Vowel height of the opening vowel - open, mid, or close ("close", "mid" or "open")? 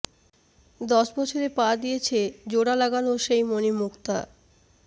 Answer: mid